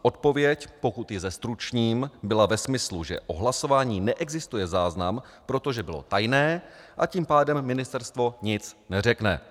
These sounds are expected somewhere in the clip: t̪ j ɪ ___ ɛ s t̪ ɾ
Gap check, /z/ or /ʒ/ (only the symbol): z